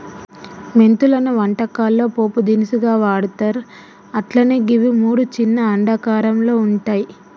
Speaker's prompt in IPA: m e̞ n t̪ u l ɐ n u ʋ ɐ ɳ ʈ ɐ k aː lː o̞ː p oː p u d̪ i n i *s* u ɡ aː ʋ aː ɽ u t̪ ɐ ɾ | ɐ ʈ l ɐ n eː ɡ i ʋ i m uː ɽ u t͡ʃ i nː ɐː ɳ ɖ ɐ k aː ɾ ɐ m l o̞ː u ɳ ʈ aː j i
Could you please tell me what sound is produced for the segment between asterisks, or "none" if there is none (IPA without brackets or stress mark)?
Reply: s